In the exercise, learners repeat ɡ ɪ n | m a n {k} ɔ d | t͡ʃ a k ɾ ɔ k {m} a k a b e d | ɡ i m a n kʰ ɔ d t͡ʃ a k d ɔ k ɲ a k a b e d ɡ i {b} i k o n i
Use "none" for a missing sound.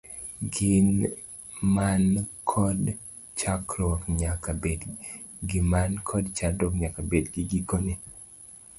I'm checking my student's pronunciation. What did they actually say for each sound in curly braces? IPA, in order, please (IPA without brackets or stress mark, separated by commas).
kʰ, ɲ, ɡ